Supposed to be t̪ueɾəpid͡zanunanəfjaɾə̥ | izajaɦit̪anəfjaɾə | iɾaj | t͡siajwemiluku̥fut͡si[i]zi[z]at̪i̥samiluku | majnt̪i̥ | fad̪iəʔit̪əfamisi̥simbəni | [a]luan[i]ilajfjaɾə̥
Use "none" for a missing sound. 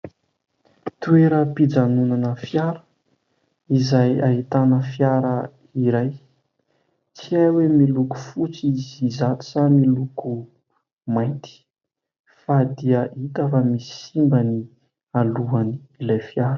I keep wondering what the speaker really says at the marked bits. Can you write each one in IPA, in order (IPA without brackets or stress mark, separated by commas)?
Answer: i, z, a, i